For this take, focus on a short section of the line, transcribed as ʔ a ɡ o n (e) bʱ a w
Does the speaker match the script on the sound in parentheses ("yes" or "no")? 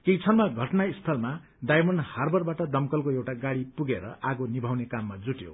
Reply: no